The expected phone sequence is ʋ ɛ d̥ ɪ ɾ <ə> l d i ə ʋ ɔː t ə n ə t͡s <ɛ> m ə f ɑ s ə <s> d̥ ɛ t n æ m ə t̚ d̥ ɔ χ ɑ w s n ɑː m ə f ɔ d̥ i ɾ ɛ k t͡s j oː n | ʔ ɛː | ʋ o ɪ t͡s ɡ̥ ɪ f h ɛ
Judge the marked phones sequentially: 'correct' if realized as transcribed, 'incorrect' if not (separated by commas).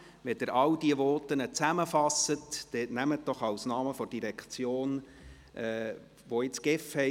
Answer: incorrect, incorrect, incorrect